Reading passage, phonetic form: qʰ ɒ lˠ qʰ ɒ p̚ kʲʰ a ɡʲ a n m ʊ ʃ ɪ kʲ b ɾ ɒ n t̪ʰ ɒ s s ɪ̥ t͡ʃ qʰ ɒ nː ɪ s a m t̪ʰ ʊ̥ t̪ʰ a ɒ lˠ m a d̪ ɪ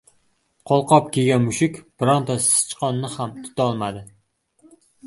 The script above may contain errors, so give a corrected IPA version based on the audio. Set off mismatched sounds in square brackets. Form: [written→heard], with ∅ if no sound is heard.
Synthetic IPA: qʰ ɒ lˠ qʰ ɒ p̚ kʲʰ [a→e] ɡʲ a n m ʊ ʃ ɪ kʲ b ɾ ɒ n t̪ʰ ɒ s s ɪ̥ t͡ʃ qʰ ɒ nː ɪ [s→h] a m t̪ʰ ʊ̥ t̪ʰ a ɒ lˠ m a d̪ ɪ